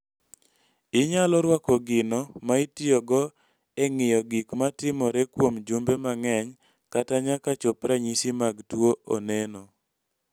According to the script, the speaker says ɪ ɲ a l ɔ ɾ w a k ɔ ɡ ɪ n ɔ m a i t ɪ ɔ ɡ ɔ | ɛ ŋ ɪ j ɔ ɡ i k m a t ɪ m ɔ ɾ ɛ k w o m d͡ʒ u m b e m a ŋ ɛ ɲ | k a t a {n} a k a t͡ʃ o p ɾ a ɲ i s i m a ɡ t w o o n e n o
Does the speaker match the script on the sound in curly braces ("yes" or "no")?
no